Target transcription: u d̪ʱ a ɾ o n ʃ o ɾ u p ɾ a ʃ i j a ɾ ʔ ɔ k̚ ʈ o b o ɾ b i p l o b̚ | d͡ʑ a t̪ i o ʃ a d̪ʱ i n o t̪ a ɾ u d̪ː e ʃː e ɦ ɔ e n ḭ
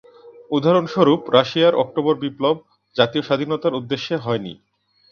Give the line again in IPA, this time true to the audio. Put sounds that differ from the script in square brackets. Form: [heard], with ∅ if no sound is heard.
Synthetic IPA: u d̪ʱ a ɾ o n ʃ o ɾ u p ɾ a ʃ i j a ɾ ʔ ɔ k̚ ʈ o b o ɾ b i p l o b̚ | d͡ʑ a t̪ i o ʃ a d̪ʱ i n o t̪ a ɾ u d̪ː e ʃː e ɦ ɔ e n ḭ